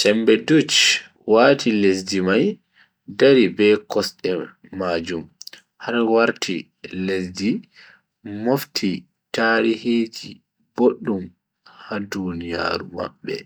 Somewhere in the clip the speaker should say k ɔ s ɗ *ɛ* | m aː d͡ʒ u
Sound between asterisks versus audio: correct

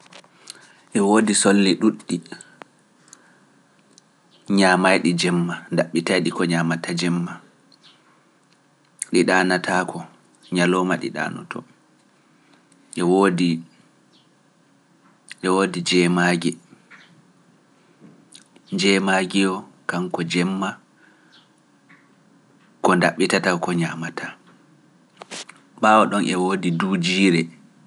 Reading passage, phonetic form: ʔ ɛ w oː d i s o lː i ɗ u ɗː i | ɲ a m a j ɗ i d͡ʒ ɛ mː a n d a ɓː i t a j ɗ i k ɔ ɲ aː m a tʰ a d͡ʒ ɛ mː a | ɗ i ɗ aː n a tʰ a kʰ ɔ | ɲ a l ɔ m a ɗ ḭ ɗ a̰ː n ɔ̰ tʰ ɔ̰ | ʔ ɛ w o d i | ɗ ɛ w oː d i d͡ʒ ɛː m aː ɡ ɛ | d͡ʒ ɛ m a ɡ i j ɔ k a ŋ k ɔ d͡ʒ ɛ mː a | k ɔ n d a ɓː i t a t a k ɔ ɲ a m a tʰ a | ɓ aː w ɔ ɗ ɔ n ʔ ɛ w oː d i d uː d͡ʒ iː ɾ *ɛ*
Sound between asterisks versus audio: correct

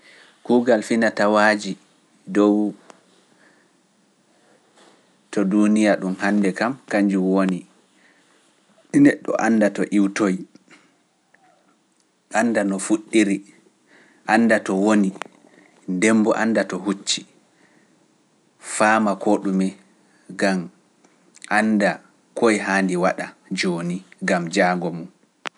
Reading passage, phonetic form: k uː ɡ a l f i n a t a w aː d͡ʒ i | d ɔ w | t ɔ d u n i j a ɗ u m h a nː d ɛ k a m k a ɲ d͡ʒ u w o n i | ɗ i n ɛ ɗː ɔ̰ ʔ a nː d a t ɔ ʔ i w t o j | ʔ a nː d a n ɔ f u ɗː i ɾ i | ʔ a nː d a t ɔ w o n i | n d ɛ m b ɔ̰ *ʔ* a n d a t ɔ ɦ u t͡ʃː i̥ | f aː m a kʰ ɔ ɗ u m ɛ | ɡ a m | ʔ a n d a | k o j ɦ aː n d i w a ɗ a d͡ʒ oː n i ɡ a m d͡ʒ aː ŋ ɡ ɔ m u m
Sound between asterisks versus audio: correct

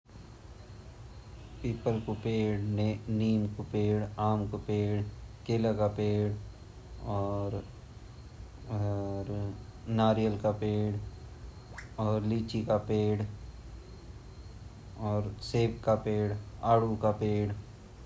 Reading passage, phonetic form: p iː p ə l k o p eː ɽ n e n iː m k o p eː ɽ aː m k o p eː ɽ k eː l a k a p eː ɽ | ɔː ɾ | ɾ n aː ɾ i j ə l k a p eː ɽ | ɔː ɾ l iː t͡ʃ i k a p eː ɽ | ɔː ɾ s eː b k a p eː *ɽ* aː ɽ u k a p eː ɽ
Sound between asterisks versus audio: correct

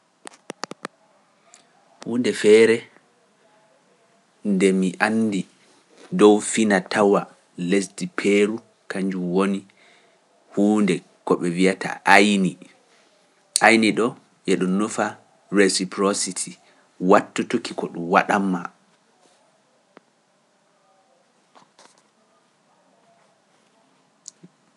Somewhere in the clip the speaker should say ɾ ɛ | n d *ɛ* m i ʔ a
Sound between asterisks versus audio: correct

